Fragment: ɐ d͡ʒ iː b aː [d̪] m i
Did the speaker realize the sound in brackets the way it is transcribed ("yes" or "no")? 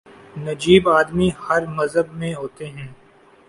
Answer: yes